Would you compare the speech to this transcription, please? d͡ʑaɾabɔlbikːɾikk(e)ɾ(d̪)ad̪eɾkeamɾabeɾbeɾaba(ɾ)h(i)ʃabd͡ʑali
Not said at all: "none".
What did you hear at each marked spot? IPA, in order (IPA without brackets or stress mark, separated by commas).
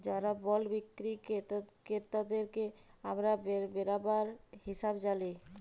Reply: e, t̪, ɾ, i